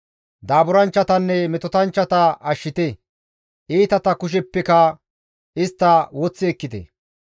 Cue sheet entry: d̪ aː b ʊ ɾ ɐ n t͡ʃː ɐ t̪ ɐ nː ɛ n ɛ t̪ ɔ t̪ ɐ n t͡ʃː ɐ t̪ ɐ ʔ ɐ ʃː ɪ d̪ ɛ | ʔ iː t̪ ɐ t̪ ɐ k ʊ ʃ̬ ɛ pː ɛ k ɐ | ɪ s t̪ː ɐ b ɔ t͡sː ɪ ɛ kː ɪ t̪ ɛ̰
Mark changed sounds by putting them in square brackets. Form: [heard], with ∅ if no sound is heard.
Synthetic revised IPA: d̪ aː b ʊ ɾ ɐ n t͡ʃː ɐ t̪ ɐ nː ɛ [m] ɛ t̪ ɔ t̪ ɐ n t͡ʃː ɐ t̪ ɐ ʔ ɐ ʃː ɪ [t̪] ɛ | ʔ iː t̪ ɐ t̪ ɐ k ʊ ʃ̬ ɛ pː ɛ k ɐ | ɪ s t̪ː ɐ [w] ɔ t͡sː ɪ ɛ kː ɪ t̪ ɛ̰